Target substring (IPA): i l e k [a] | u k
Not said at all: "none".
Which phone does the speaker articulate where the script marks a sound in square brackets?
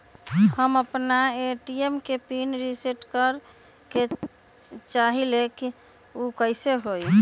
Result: i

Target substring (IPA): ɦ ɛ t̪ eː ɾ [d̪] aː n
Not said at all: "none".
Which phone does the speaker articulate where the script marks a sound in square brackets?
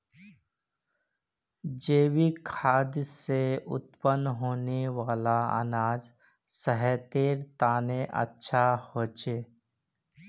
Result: t̪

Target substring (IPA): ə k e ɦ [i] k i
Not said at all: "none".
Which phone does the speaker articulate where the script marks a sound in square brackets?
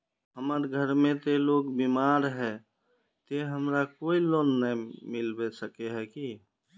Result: ɛ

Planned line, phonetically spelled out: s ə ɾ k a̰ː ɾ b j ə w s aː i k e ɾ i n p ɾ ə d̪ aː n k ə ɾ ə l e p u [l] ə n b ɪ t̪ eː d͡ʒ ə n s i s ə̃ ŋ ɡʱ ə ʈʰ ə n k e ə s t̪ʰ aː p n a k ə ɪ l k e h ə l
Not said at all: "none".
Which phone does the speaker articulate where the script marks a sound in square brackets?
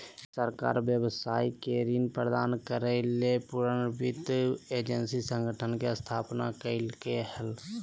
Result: ɾ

